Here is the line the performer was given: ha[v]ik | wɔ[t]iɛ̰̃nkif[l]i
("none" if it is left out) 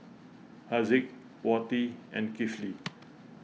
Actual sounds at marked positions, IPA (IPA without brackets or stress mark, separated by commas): z, t, l